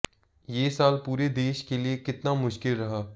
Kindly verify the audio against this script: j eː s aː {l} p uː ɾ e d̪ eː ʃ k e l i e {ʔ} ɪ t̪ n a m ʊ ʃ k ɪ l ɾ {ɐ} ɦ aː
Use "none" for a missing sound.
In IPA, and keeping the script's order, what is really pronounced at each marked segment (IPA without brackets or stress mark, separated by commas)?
l, k, ɐ